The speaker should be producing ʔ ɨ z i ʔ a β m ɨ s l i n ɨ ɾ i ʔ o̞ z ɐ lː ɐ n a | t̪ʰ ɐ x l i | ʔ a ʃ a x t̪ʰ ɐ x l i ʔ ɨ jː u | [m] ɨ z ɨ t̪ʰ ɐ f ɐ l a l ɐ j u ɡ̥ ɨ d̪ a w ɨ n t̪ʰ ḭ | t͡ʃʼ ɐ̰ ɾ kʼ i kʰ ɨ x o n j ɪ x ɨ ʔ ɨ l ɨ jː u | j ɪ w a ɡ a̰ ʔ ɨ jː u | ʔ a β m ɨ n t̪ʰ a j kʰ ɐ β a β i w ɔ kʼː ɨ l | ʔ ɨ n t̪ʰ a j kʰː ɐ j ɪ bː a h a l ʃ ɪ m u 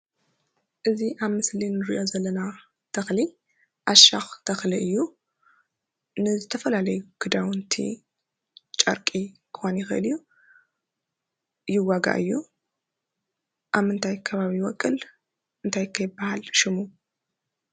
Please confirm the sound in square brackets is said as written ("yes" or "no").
no